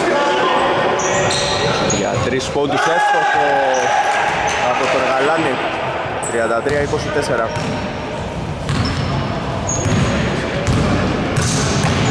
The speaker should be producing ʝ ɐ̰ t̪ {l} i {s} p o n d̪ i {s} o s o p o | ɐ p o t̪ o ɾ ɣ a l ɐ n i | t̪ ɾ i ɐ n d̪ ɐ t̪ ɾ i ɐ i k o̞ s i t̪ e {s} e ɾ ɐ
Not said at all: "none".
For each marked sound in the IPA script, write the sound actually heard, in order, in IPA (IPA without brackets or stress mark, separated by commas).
ɾ, s, s, s